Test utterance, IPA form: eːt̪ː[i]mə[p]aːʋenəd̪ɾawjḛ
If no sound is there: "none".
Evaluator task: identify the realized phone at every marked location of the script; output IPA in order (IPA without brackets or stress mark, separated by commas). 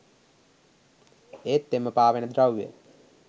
e, p